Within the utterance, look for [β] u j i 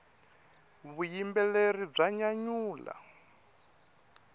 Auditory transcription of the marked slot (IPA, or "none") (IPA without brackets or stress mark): β